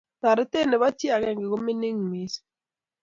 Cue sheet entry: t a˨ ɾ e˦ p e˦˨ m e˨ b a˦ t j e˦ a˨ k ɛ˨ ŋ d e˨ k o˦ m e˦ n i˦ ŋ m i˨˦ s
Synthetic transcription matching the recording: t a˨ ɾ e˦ t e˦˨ n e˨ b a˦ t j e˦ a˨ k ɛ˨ ŋ ɡ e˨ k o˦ m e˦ n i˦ ŋ m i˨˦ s